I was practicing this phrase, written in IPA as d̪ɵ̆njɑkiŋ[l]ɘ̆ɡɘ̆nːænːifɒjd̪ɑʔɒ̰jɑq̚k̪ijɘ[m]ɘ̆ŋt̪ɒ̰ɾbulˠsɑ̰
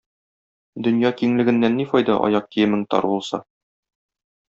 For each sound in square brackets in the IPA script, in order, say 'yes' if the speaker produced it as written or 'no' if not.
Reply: yes, yes

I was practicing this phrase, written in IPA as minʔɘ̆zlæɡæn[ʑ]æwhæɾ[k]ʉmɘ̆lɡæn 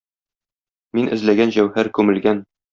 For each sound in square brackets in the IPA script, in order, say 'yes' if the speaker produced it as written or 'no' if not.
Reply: yes, yes

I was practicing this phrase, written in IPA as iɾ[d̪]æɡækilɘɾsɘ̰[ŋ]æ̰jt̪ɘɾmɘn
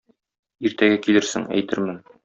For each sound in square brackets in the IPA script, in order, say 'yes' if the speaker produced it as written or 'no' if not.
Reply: no, yes

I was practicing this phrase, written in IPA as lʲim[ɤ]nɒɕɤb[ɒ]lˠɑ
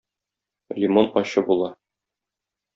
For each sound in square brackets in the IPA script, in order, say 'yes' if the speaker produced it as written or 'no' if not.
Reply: no, no

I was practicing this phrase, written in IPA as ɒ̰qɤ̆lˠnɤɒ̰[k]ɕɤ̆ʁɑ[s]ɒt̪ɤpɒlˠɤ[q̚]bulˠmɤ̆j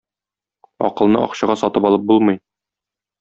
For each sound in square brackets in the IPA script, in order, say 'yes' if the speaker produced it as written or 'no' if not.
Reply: no, yes, no

